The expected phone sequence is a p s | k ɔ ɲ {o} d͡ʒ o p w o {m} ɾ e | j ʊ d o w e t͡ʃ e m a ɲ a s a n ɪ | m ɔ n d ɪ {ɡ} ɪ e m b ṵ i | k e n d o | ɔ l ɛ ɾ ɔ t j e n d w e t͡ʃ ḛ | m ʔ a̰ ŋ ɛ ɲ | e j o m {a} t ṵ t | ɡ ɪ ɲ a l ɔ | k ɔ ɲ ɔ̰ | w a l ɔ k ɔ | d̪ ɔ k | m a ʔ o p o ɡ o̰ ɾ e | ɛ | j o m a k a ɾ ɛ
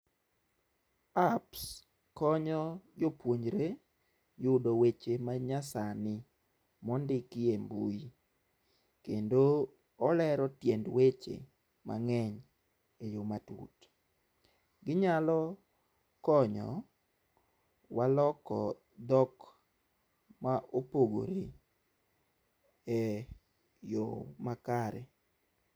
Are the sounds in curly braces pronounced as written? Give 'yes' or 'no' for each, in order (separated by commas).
no, no, no, yes